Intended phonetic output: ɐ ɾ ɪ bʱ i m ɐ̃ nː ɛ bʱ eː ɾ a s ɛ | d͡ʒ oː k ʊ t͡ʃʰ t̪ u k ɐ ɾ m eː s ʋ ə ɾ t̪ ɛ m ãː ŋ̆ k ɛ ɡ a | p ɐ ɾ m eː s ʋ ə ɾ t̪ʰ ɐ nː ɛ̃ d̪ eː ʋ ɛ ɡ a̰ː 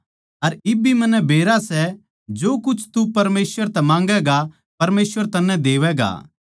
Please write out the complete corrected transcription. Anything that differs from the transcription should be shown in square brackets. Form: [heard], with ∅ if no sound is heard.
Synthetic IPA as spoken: ɐ ɾ ɪ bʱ i m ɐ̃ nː ɛ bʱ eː ɾ a s ɛ | d͡ʒ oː k ʊ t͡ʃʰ t̪ u [p] ɐ ɾ m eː s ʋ ə ɾ t̪ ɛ m ãː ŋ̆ [ɡ] ɛ ɡ a | p ɐ ɾ m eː s ʋ ə ɾ [t̪] ɐ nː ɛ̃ d̪ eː ʋ ɛ ɡ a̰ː

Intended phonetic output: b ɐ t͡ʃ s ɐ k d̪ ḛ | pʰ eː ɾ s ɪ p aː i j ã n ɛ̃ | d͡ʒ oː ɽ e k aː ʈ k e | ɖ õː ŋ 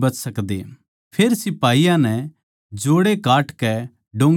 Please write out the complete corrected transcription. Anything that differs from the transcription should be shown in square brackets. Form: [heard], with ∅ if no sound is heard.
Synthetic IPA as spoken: b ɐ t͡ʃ s ɐ k d̪ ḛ | pʰ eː ɾ s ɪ p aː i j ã n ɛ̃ | d͡ʒ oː ɽ e k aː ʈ k [ɛ] | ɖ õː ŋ

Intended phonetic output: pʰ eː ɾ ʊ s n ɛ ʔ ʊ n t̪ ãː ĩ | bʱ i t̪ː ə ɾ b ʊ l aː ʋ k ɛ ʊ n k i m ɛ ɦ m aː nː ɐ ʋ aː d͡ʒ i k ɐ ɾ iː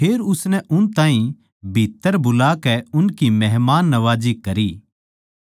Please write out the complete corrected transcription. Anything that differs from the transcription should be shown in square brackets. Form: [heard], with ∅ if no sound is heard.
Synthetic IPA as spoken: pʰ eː ɾ ʊ s n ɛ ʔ ʊ n t̪ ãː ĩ | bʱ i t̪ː ə ɾ b ʊ l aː [∅] k ɛ ʊ n k i m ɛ ɦ m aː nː ɐ ʋ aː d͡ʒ i k ɐ ɾ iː

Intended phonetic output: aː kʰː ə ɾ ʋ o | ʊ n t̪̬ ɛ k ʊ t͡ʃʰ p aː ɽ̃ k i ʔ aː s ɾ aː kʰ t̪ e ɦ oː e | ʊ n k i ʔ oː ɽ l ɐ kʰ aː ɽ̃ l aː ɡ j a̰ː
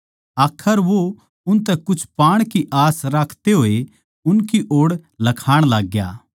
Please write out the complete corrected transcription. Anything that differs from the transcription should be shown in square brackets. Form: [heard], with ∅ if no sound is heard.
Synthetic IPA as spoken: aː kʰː ə ɾ ʋ o | ʊ n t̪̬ ɛ k ʊ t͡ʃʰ p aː ɽ̃ k i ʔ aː s ɾ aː kʰ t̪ e ɦ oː e | ʊ n k i ʔ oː ɽ l ɐ kʰ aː ɽ̃ l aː ɡ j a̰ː

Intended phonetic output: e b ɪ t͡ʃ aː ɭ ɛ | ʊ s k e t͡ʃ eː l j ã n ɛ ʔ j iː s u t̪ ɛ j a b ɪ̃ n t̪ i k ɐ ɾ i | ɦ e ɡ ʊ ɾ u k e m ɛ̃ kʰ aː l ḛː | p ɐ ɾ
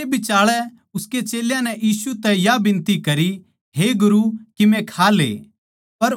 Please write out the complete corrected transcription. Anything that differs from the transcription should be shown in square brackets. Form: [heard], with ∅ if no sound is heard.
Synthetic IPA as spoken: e b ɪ t͡ʃ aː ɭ ɛ | ʊ s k e t͡ʃ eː l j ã n ɛ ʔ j iː s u t̪ ɛ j a b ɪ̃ n t̪ i k ɐ ɾ i | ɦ e ɡ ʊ ɾ u k [i] m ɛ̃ kʰ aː l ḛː | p ɐ ɾ

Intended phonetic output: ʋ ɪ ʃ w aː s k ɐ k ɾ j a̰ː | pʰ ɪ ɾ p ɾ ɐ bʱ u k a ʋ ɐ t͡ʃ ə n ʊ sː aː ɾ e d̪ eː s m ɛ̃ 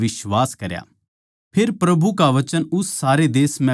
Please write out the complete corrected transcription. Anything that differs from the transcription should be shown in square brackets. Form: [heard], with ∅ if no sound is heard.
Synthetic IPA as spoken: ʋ ɪ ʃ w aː s k ɐ [∅] ɾ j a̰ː | pʰ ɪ ɾ p ɾ ɐ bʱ u k a ʋ ɐ t͡ʃ ə n ʊ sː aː ɾ e d̪ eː s m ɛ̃

